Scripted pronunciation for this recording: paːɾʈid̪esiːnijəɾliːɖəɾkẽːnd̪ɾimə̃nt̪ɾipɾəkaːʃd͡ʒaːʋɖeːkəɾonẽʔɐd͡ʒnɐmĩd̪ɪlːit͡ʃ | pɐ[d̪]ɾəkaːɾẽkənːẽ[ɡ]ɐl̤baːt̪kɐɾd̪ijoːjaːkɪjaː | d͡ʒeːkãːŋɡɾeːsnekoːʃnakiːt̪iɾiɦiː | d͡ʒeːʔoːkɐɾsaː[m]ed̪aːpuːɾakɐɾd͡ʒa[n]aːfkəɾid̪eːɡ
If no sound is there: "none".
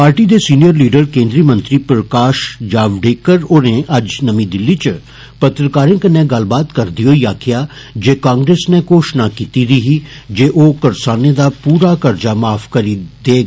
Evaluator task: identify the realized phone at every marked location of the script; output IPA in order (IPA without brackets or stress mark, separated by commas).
t̪, ɡ, n, m